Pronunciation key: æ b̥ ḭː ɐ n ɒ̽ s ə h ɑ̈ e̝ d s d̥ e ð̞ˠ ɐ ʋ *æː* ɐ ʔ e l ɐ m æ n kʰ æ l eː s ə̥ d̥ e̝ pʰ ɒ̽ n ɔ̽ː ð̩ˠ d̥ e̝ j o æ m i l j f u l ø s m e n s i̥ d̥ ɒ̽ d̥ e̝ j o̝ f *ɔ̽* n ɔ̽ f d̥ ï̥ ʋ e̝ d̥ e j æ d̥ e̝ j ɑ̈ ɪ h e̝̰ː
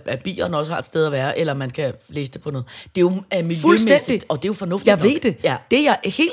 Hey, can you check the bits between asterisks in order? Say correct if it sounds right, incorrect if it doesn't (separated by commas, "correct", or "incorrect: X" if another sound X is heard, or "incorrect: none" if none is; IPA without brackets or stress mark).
correct, incorrect: ɒ̽